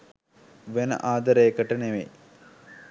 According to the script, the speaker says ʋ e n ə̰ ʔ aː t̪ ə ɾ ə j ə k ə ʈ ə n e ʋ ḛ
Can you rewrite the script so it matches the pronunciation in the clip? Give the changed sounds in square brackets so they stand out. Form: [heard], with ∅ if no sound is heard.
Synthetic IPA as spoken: ʋ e n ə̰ ʔ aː [d̪] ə ɾ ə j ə k ə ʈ ə n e ʋ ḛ